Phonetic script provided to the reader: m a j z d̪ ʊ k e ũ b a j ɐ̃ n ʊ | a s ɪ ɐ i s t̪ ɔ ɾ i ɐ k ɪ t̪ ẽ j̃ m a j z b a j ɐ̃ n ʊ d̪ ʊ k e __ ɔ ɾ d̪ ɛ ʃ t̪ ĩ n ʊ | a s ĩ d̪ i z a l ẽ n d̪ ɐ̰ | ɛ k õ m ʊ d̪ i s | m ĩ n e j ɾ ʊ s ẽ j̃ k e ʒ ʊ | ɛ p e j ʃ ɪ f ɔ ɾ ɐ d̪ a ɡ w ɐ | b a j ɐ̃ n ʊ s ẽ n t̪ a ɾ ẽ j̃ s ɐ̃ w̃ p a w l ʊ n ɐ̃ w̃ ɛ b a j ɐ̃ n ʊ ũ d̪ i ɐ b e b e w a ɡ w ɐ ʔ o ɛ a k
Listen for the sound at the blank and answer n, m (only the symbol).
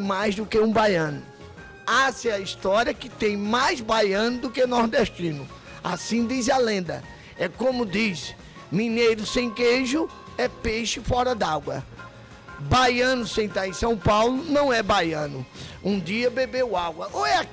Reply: n